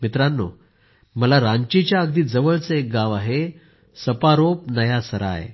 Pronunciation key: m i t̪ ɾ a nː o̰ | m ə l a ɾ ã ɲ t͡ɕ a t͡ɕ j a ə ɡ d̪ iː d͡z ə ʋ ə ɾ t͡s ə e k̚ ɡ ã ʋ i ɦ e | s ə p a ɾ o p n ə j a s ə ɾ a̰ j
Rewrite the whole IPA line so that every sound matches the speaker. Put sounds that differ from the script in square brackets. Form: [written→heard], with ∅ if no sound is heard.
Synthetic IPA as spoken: m i t̪ ɾ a nː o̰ | m ə l a ɾ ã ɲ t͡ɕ [a→i] t͡ɕ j a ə ɡ d̪ iː d͡z ə ʋ ə [ɾ→ɭ] t͡s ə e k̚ ɡ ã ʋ [i→a] ɦ e | s ə p a ɾ o p n ə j a s ə ɾ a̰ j